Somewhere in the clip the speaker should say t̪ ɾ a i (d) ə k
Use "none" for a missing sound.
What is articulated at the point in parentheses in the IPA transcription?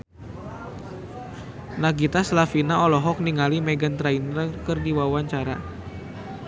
n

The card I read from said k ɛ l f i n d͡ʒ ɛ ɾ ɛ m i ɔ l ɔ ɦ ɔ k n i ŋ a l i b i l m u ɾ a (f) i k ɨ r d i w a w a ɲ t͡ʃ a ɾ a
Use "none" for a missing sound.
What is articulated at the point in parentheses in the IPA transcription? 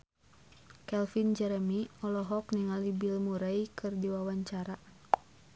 none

